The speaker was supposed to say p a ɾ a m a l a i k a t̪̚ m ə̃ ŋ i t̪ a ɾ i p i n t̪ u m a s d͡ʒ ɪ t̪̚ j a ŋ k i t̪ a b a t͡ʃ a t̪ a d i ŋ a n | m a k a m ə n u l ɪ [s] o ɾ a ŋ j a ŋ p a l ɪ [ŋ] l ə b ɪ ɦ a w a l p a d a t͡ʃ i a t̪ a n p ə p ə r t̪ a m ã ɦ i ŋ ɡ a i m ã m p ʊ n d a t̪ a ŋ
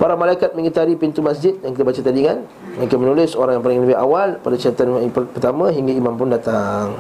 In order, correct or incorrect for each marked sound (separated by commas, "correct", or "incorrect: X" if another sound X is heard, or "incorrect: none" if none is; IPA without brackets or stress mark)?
correct, correct